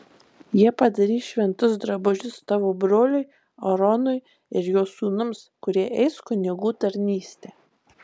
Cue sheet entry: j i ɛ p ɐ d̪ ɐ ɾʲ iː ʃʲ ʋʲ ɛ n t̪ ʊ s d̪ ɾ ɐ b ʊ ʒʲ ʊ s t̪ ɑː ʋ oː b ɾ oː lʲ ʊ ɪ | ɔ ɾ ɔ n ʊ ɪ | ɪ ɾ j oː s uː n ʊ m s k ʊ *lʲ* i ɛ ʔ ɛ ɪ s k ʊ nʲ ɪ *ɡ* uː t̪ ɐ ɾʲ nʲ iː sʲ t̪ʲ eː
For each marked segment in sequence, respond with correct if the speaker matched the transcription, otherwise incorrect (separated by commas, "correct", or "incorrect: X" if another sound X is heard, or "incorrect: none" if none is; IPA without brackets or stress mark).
incorrect: ɾʲ, correct